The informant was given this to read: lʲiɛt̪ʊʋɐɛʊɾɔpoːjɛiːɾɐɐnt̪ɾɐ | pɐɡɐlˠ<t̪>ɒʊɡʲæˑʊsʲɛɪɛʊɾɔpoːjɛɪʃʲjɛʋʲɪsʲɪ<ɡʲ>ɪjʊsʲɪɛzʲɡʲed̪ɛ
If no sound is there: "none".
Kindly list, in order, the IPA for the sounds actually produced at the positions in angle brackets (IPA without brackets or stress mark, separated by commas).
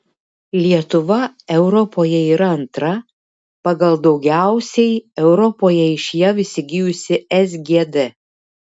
d̪, ɡʲ